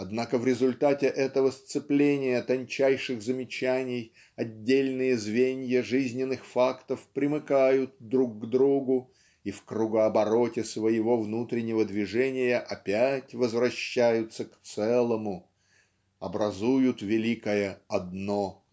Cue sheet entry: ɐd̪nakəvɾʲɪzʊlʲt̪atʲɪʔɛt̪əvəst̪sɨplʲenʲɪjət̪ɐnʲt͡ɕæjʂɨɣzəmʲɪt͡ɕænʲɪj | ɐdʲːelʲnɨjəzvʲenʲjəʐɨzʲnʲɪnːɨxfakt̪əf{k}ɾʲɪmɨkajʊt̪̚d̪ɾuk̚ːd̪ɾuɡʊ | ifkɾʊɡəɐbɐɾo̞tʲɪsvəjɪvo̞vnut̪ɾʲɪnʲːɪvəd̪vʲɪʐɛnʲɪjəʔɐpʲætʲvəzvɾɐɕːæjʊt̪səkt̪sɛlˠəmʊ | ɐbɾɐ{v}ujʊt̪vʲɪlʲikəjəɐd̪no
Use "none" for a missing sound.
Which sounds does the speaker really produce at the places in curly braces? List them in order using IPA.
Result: p, z

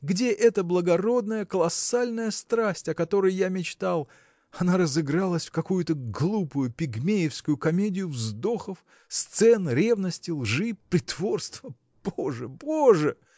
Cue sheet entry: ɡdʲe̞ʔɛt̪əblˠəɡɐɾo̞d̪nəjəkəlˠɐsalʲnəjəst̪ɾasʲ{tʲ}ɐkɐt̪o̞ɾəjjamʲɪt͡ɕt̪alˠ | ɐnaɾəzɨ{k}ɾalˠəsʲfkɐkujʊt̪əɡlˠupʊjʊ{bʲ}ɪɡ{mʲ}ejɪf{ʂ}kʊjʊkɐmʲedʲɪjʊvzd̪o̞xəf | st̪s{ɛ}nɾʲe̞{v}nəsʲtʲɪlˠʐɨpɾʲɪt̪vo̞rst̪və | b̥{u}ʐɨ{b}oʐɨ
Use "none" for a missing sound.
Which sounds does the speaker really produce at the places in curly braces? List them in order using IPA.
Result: tʲ, ɡ, pʲ, mʲ, s, ɛ, v, o, b

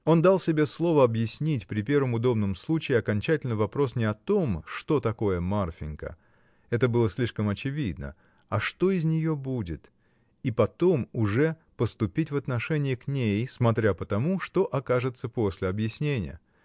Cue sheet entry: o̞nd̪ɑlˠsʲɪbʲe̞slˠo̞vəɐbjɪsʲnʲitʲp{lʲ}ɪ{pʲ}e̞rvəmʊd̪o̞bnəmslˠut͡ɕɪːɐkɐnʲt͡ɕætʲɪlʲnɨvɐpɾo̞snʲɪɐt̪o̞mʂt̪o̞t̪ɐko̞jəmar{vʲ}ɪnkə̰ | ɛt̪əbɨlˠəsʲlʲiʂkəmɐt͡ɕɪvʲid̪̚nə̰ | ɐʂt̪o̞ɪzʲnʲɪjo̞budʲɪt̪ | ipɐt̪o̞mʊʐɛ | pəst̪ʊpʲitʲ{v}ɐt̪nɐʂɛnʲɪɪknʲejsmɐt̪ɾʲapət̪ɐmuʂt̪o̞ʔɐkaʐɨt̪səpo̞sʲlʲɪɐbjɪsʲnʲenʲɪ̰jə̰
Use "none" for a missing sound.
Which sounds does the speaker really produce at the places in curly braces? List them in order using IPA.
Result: ɾʲ, pʲ, fʲ, v

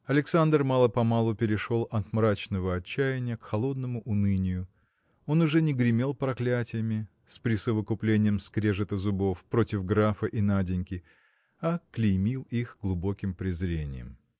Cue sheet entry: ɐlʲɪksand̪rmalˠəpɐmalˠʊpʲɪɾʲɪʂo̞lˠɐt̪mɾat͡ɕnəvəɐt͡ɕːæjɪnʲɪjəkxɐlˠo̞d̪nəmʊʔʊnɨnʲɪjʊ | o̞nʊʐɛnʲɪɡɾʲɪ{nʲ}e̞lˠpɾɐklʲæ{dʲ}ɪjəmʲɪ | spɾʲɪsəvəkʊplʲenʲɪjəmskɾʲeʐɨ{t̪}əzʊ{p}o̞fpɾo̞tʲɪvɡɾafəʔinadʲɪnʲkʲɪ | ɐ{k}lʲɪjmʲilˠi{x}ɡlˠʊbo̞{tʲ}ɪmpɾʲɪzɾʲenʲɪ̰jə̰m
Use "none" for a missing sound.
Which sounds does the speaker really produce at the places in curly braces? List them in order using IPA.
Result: mʲ, tʲ, t̪, b, k, x, kʲ

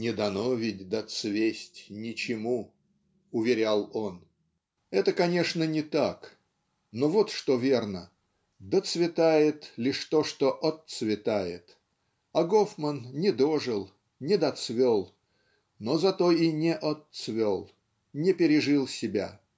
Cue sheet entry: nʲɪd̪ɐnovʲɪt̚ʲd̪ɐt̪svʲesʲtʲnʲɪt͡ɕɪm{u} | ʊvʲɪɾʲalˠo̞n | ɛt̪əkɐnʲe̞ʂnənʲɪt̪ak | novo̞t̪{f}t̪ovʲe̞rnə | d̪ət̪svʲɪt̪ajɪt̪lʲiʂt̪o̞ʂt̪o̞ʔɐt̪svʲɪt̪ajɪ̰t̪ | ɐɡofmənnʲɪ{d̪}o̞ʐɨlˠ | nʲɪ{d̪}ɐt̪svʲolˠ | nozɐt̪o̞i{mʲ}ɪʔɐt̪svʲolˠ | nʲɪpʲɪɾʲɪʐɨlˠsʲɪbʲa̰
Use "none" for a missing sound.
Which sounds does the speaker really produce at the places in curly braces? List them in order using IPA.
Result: u, ʂ, d̪, d̪, nʲ

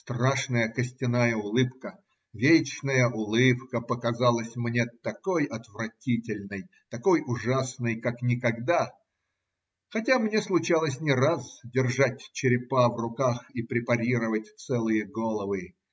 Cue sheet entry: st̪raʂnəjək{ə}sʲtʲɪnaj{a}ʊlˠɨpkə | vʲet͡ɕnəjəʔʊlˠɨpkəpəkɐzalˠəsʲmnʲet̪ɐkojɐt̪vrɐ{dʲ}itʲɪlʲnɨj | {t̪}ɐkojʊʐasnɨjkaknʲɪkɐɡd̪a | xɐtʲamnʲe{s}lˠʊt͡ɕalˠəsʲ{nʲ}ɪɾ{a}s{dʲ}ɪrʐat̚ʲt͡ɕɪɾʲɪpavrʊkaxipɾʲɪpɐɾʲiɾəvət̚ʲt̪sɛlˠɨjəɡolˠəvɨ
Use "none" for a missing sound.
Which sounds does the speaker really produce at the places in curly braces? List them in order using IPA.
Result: ə, ə, tʲ, t̪, s, nʲ, a, dʲ

